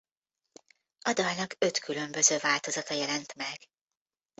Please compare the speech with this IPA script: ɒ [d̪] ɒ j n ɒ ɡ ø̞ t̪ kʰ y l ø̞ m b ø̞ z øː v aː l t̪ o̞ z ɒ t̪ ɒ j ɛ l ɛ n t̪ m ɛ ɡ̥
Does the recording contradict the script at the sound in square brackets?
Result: no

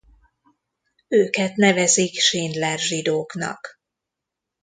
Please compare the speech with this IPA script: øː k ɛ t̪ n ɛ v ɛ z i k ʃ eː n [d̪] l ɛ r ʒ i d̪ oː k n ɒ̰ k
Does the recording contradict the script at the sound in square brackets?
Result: no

